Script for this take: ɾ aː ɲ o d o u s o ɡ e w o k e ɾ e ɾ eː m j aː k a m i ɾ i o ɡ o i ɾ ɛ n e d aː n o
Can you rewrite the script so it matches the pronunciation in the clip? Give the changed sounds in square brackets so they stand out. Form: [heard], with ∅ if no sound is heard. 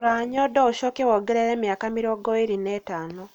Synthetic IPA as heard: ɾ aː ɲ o d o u [ʃ] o [k] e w o [ɡ] e ɾ e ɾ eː m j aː k a m i ɾ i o ɡ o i ɾ [i] n e [t] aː n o